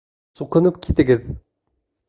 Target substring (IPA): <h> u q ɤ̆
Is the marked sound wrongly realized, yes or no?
yes